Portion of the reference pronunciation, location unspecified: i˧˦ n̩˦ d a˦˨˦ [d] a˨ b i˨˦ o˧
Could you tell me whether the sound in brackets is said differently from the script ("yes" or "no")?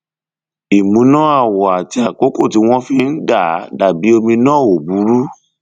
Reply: no